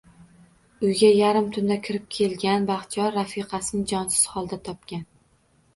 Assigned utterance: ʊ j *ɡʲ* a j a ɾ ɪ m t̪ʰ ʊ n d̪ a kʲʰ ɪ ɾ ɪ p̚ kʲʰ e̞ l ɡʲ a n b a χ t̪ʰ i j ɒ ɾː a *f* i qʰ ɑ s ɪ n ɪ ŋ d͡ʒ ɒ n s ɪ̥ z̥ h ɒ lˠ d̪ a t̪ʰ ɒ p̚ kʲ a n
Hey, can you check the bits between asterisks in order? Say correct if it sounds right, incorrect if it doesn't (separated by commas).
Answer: correct, correct